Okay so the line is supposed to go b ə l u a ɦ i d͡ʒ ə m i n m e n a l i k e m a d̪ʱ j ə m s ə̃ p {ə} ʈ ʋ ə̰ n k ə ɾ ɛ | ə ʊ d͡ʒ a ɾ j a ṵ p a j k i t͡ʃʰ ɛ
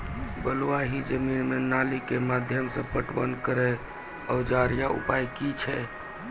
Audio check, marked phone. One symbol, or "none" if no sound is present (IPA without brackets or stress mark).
ə